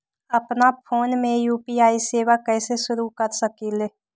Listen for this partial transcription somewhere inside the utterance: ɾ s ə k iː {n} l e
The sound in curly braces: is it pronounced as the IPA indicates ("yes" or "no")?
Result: no